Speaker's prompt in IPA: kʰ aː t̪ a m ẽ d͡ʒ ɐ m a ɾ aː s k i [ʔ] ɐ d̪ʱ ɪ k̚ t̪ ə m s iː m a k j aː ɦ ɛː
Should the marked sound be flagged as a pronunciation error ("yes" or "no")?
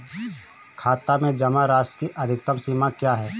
no